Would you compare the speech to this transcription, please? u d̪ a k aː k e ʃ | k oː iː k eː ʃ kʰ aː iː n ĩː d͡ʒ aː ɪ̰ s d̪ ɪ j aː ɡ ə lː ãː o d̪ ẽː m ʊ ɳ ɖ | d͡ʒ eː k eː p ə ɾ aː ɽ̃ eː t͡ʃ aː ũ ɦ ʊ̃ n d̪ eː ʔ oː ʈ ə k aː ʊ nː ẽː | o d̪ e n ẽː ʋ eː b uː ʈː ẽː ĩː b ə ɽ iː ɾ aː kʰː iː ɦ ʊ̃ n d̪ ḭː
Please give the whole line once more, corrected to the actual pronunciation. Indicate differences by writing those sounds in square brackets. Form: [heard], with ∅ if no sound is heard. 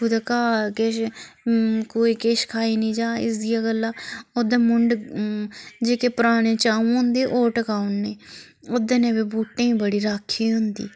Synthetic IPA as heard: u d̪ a k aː k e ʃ | k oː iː k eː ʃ kʰ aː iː n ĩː d͡ʒ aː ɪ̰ s d̪ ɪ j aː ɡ ə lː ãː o d̪ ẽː m ʊ ɳ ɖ | d͡ʒ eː k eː p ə ɾ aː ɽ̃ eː t͡ʃ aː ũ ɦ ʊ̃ n d̪ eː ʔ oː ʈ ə k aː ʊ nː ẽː | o d̪ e n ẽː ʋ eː b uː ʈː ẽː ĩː b ə ɽ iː ɾ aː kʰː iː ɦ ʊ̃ n d̪ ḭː